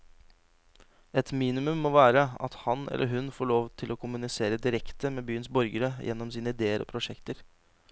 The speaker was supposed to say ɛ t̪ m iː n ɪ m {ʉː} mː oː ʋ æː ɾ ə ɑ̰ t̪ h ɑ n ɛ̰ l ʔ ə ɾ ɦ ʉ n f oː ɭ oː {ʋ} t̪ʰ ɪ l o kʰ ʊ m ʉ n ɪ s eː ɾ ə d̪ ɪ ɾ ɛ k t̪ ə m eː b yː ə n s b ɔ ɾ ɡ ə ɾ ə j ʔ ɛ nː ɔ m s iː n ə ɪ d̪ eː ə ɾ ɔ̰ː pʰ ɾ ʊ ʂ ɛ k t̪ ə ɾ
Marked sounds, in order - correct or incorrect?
incorrect: ʉ, correct

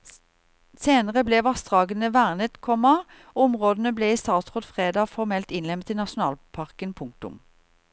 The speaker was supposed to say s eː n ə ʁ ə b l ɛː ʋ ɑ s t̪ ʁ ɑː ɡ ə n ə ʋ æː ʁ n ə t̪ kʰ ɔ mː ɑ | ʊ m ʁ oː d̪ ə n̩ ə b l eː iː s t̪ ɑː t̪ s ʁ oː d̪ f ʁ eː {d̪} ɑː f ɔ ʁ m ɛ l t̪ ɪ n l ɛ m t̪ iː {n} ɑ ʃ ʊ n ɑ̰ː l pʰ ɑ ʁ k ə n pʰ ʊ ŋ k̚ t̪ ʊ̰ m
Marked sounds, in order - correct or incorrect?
correct, correct

